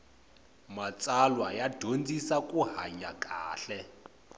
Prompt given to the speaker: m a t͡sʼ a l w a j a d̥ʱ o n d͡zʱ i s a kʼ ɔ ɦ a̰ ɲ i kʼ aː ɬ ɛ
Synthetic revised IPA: m a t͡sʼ a l w a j a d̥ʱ o n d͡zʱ i s a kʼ u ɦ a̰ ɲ a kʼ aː ɬ ɛ